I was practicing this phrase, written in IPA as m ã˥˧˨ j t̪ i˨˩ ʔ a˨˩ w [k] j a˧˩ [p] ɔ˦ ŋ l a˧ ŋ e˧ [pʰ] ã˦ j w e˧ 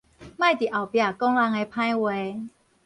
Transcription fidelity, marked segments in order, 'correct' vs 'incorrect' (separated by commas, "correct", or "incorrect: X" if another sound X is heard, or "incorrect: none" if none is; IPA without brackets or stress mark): incorrect: p, incorrect: k, correct